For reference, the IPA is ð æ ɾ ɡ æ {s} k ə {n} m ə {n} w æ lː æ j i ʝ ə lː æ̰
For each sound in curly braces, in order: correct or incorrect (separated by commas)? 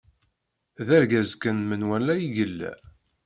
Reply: incorrect, correct, correct